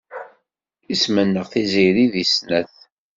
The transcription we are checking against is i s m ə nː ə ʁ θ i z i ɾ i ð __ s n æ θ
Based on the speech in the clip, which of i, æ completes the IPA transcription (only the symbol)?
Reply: i